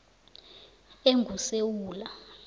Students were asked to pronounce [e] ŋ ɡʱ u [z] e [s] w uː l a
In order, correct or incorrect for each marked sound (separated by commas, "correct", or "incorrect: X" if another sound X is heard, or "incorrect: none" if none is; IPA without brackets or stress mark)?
correct, incorrect: s, incorrect: none